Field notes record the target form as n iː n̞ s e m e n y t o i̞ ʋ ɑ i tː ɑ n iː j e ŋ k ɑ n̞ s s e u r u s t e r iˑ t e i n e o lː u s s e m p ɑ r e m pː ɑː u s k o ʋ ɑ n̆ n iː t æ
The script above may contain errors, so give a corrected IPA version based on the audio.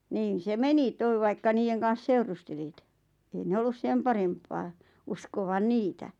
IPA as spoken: n iː n̞ s e m e n i t o i̞ ʋ ɑ i kː ɑ n iː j e ŋ k ɑ n̞ s s e u r u s t e l iˑ t e i n e o lː u s s e m p ɑ r e m pː ɑː u s k o ʋ ɑ n̆ n iː t æ